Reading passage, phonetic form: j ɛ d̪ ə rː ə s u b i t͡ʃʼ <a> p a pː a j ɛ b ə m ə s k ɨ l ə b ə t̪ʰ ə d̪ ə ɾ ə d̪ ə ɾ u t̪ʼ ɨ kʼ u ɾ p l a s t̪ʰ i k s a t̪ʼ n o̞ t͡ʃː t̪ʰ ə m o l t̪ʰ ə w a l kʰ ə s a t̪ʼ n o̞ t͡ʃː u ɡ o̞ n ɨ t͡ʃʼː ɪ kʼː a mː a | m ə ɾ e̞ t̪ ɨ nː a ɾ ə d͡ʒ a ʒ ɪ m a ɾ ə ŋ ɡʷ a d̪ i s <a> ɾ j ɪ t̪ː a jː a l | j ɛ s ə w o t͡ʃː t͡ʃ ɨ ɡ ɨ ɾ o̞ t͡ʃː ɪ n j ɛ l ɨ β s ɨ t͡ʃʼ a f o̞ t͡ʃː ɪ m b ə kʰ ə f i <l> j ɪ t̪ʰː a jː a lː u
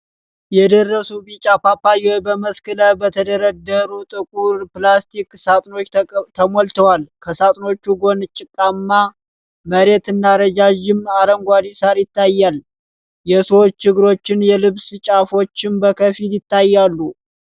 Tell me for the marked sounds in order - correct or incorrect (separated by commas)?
correct, correct, correct